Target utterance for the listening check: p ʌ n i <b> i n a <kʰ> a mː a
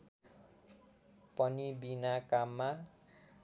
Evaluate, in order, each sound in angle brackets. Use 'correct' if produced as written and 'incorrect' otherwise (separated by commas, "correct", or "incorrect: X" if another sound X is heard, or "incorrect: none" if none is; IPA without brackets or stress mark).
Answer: correct, incorrect: k